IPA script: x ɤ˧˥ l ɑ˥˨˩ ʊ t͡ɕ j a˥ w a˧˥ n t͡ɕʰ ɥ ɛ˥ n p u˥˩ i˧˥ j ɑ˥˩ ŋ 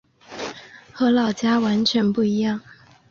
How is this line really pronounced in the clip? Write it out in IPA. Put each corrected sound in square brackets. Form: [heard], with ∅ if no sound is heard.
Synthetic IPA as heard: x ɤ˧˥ l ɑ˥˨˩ ʊ t͡ɕ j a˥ w a˧˥ n t͡ɕʰ ɥ [ɛ˧˥] n p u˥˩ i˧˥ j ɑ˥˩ ŋ